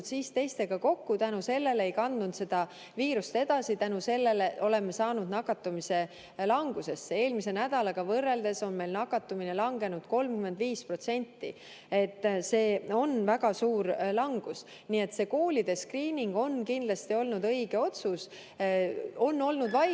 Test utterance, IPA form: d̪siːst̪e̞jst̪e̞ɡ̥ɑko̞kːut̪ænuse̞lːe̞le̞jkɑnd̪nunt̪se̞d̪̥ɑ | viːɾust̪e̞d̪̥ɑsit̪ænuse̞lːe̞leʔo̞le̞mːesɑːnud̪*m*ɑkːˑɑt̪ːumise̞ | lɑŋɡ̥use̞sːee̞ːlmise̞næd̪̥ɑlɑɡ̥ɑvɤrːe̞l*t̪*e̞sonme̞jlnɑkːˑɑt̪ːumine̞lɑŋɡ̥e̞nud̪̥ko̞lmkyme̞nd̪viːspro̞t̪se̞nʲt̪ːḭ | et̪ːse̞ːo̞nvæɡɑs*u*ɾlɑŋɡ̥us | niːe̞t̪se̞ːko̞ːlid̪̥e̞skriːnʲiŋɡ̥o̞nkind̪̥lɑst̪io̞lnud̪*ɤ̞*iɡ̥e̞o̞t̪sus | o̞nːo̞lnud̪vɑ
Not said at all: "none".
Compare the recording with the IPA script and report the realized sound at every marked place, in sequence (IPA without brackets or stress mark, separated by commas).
n, d̪, uː, ɤ̞